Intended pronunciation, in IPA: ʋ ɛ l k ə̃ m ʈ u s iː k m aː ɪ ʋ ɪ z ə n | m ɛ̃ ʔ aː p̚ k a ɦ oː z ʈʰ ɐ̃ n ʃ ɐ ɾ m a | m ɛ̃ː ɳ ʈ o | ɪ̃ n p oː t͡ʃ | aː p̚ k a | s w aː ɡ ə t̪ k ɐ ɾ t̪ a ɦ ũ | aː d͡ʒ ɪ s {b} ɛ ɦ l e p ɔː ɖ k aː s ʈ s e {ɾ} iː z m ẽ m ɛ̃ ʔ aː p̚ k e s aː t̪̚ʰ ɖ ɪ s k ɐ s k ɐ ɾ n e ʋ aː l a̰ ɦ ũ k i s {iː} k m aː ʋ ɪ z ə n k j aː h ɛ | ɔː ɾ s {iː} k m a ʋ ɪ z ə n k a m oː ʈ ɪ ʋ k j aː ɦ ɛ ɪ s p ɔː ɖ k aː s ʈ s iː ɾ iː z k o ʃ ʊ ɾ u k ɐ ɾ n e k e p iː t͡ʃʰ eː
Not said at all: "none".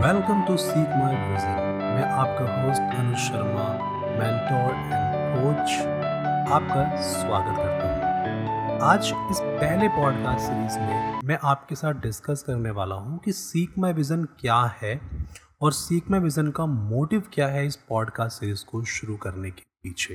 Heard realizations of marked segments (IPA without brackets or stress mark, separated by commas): p, ɾ, iː, iː